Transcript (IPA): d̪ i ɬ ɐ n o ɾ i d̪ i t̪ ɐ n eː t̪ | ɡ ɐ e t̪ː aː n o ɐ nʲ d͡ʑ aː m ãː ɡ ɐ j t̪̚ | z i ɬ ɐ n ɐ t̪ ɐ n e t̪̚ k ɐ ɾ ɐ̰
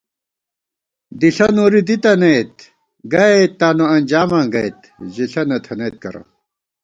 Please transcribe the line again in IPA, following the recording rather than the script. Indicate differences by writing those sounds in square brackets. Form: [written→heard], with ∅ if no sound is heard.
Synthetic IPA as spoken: d̪ i ɬ ɐ n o ɾ i d̪ i t̪ ɐ n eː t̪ | ɡ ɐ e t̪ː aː n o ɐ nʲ d͡ʑ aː m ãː ɡ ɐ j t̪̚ | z i ɬ ɐ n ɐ [t̪→t̪ʰ] ɐ n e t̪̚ k ɐ ɾ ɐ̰